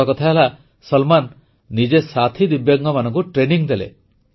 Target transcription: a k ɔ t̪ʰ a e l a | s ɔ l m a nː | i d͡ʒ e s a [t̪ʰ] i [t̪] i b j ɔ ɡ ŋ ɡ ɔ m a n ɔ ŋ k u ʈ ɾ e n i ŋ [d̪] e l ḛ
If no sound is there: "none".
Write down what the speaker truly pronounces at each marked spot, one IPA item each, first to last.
t̪ʰ, d̪, d̪

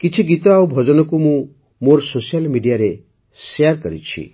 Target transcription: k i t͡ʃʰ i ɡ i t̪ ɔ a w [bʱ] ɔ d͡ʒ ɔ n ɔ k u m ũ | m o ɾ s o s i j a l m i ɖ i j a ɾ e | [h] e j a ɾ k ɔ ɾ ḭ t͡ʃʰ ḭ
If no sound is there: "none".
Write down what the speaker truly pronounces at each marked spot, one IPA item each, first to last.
bʱ, s

